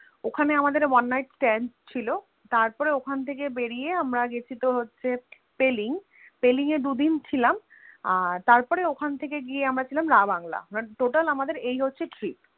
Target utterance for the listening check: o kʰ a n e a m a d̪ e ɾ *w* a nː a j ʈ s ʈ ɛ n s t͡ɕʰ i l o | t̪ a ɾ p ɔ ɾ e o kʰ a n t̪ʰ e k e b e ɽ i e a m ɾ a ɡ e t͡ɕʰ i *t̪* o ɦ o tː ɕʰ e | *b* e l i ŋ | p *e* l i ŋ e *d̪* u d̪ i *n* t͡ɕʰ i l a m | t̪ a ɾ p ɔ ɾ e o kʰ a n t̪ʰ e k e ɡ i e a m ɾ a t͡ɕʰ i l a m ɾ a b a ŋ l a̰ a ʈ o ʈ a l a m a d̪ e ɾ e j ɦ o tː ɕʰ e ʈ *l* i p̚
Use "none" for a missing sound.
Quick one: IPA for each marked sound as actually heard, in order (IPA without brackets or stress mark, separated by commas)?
w, t̪, p, e, d̪, n, ɾ